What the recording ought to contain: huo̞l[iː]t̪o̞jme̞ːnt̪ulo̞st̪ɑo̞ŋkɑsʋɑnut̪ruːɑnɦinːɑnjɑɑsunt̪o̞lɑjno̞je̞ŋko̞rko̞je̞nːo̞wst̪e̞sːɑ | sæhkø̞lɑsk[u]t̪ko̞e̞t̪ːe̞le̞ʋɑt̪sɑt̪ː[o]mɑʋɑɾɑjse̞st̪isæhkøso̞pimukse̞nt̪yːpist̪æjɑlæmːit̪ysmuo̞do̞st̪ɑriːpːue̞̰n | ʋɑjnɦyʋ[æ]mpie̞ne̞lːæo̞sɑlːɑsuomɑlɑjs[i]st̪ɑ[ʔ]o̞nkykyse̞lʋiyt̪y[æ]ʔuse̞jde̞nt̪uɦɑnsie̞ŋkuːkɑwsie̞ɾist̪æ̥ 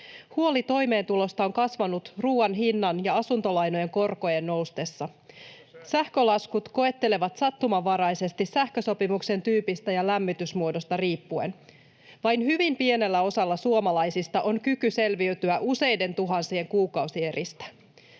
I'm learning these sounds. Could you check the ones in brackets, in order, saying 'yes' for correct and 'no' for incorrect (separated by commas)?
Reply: no, yes, no, no, yes, yes, yes